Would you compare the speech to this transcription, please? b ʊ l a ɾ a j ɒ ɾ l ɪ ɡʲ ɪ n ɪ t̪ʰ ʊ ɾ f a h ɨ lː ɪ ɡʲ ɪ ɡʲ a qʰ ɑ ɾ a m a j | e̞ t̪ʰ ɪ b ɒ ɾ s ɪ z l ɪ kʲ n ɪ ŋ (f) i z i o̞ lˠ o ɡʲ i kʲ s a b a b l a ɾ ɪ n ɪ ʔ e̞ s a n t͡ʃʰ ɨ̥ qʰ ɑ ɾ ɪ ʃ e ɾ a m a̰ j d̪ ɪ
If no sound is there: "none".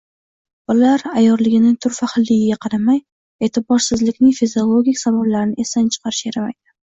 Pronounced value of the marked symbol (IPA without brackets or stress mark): f